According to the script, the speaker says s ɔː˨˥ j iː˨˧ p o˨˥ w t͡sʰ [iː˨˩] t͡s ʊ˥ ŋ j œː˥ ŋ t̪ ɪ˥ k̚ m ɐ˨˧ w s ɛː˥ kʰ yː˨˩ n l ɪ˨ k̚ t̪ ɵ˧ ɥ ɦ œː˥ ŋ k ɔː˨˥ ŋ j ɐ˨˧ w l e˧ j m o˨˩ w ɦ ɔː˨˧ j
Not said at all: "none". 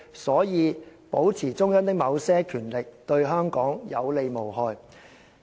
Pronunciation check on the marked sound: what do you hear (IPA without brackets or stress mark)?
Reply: iː˨˩